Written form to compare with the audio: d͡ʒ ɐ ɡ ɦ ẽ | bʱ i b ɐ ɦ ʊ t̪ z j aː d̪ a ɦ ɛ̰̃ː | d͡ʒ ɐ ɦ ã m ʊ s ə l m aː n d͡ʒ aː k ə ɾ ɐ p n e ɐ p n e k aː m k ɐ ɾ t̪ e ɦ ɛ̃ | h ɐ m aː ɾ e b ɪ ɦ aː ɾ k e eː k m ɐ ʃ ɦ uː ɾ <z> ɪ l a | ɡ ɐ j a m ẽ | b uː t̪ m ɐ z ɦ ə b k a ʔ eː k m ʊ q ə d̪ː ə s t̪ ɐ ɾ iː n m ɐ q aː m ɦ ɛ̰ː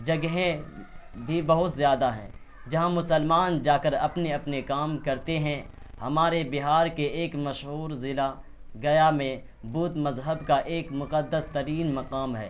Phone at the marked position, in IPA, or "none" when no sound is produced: z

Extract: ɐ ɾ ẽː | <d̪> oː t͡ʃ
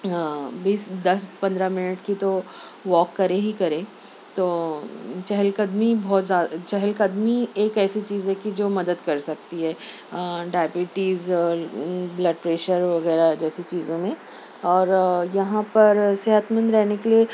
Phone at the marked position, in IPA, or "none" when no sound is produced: t̪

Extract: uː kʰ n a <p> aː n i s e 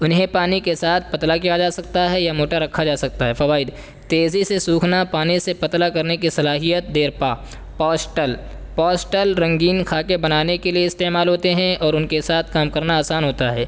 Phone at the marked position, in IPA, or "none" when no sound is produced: p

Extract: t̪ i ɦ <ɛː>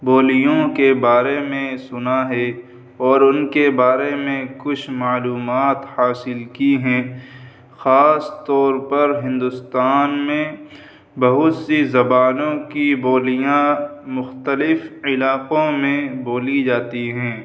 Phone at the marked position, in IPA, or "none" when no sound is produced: ɛ̃ː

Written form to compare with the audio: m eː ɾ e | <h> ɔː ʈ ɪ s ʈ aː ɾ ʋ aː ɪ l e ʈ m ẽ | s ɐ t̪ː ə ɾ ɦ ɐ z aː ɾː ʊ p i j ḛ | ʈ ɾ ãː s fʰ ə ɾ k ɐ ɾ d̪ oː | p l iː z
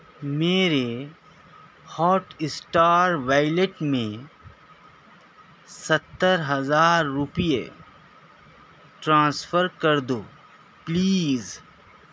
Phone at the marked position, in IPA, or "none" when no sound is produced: h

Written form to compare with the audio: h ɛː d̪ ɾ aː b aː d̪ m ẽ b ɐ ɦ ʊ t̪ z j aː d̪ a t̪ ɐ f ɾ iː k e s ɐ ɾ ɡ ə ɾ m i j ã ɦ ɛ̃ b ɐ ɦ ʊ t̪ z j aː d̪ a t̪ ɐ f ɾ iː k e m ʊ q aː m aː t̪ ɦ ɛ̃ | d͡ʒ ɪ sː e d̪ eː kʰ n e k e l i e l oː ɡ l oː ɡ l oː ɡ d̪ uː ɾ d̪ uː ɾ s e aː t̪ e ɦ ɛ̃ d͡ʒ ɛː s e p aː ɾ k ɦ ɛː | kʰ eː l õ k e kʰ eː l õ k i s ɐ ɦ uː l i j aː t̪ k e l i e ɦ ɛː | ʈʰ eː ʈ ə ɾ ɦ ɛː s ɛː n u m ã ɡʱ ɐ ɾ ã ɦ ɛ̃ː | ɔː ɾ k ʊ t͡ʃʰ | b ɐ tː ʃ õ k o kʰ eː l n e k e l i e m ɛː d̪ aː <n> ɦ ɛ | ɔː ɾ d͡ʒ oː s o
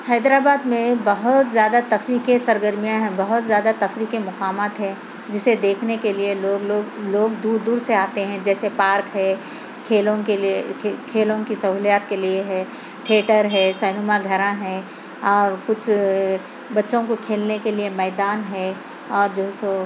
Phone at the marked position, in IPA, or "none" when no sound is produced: n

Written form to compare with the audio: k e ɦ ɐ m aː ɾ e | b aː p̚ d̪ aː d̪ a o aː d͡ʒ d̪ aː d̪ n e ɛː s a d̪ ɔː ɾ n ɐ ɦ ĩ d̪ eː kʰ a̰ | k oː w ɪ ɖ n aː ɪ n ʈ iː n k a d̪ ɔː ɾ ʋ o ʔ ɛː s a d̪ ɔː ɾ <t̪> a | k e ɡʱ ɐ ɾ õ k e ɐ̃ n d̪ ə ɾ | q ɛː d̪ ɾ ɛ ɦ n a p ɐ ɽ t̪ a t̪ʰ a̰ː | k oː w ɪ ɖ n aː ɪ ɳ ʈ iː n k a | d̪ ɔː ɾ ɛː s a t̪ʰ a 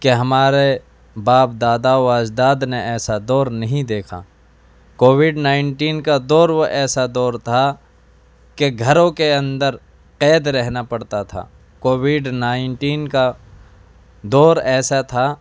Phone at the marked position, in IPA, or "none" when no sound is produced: t̪ʰ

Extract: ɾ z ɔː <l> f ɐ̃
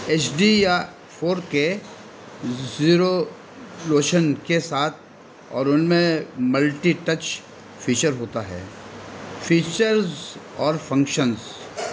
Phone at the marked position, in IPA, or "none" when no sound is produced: ɾ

